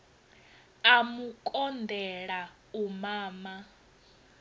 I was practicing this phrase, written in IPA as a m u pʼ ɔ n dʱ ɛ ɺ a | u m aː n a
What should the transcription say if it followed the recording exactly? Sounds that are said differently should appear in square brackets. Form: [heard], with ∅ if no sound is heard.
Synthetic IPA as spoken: a m u [kʼ] ɔ n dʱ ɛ ɺ a | u m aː [m] a